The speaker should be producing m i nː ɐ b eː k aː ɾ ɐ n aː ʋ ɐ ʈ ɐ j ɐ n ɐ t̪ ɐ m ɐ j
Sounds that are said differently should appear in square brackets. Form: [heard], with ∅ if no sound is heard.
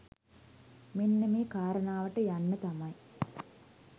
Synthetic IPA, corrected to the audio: m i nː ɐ [m] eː k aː ɾ ɐ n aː ʋ ɐ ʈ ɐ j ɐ [nː] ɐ t̪ ɐ m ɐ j